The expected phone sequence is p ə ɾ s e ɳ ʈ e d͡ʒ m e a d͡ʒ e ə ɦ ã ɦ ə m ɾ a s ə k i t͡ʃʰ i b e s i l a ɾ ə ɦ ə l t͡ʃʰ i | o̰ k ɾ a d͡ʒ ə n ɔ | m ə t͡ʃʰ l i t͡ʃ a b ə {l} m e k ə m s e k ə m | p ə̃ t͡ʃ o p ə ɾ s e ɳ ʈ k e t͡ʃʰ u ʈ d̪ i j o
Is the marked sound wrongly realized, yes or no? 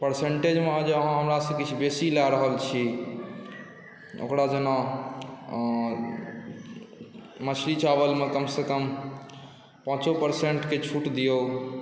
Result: no